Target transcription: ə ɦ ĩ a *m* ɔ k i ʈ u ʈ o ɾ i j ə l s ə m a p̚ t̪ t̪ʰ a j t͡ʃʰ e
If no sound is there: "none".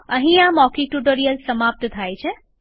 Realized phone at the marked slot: m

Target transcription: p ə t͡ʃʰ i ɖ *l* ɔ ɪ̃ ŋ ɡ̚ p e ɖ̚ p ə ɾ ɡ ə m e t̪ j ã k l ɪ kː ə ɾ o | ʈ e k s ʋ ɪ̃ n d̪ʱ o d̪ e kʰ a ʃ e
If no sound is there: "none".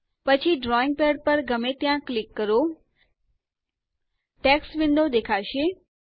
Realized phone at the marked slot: ɾ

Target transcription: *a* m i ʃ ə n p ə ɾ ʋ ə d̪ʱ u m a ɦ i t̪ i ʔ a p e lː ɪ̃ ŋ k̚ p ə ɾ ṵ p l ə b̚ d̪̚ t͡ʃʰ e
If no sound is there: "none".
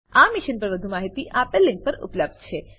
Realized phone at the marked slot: a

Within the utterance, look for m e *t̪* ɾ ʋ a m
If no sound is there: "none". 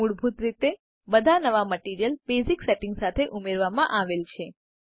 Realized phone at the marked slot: none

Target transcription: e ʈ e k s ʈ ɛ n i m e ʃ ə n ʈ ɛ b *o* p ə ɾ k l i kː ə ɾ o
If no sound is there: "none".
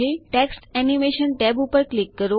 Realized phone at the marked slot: u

